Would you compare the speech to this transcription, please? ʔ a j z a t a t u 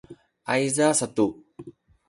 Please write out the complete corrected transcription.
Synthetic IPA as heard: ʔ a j z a s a t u